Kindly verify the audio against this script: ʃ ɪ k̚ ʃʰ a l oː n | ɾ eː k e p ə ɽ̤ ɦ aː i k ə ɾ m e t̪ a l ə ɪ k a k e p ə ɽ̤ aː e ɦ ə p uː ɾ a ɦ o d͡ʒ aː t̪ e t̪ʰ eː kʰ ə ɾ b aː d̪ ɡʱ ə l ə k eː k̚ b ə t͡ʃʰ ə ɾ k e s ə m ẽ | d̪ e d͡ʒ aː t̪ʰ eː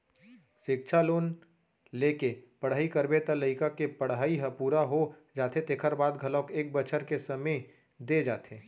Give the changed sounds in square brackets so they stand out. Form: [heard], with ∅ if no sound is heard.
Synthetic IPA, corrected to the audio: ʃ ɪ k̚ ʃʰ a l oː n | [l] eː k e p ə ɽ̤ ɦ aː i k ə ɾ [b] e t̪ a l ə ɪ k a k e p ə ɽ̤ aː [i] ɦ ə p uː ɾ a ɦ o d͡ʒ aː t̪ e [t̪] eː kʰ ə ɾ b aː d̪ ɡʱ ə l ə k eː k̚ b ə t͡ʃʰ ə ɾ k e s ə m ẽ | d̪ e d͡ʒ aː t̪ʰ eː

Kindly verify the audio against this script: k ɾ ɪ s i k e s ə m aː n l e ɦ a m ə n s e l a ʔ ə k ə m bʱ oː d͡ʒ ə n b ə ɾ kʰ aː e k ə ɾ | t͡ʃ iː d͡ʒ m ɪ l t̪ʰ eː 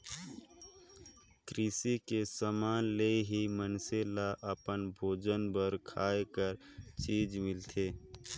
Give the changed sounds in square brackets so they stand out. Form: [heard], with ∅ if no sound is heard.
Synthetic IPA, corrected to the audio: k ɾ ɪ s i k e s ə m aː n l e ɦ [i] m ə n s e l a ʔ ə [p] ə [n] bʱ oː d͡ʒ ə n b ə ɾ kʰ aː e k ə ɾ | t͡ʃ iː d͡ʒ m ɪ l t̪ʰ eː

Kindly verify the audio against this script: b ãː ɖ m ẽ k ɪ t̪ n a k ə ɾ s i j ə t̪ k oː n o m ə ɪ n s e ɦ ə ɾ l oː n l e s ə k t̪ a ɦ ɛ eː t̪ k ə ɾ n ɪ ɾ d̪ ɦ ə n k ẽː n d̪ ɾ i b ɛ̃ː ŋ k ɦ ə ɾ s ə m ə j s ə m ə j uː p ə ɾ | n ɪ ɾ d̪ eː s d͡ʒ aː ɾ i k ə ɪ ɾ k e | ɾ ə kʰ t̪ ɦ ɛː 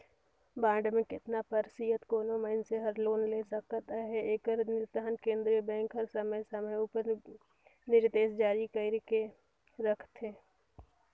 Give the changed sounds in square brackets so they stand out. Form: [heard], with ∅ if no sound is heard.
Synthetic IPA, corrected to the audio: b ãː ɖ m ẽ k ɪ t̪ n a [p] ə ɾ s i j ə t̪ k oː n o m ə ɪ n s e ɦ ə ɾ l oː n l e s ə k t̪ a ɦ ɛ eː [∅] k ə ɾ n ɪ ɾ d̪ ɦ ə n k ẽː n d̪ ɾ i b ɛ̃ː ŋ k ɦ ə ɾ s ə m ə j s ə m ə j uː p ə ɾ | n ɪ ɾ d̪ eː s d͡ʒ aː ɾ i k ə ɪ ɾ k e | ɾ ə kʰ t̪ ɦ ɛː

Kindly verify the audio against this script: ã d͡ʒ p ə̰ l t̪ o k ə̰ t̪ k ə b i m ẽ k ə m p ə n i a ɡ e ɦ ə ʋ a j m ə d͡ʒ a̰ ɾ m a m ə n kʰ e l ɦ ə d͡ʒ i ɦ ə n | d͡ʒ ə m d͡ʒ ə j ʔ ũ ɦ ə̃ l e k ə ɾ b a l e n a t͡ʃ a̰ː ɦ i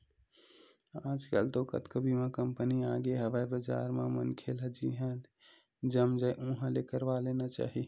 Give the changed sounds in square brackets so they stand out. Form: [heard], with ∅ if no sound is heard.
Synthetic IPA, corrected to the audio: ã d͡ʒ [k] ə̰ l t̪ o k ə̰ t̪ k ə b i m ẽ k ə m p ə n i a ɡ e ɦ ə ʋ a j [b] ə d͡ʒ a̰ ɾ m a m ə n kʰ e l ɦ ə d͡ʒ i ɦ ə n | d͡ʒ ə m d͡ʒ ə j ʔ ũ ɦ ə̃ l e k ə ɾ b a l e n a t͡ʃ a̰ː ɦ i

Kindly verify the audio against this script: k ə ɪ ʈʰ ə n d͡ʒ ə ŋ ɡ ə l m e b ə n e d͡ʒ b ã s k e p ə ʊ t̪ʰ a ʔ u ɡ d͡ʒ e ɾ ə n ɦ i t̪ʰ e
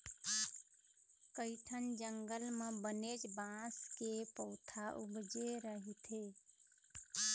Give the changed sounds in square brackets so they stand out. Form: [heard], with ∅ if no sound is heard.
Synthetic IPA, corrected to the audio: k ə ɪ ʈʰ ə n d͡ʒ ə ŋ ɡ ə l m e b ə n e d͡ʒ b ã s k e p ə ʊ t̪ʰ a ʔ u ɡ d͡ʒ e ɾ ə [∅] ɦ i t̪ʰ e

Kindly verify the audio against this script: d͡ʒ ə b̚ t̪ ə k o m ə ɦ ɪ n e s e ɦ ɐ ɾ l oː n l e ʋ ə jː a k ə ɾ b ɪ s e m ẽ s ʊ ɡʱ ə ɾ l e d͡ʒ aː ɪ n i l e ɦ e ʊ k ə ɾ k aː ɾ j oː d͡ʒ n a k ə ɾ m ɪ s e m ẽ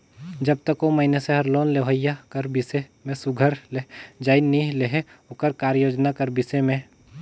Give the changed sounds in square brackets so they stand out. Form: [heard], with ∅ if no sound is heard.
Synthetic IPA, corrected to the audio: d͡ʒ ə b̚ t̪ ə k o m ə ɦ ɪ n e s e ɦ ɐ ɾ l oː n l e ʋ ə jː a k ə ɾ b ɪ s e m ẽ s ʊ ɡʱ ə ɾ l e d͡ʒ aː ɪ n i l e ɦ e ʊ k ə ɾ k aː ɾ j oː d͡ʒ n a k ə ɾ [b] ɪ s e m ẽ

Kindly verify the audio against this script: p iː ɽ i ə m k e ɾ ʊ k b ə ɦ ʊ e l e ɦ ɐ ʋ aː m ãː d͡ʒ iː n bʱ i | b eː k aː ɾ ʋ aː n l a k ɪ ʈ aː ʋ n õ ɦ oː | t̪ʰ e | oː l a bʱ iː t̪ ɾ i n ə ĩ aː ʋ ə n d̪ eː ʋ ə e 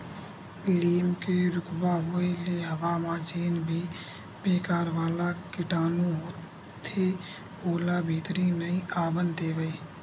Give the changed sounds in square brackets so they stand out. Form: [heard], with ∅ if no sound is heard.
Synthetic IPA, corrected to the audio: p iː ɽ i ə m k e ɾ ʊ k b [a] ɦ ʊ e l e ɦ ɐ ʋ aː m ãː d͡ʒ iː n bʱ i | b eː k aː ɾ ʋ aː [∅] l a k ɪ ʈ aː [∅] n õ ɦ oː | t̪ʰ e | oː l a bʱ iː t̪ ɾ i n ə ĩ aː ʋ ə n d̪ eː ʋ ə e

